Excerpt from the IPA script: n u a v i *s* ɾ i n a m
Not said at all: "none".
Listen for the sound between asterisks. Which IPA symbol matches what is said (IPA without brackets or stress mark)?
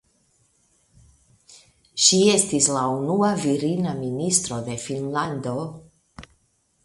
none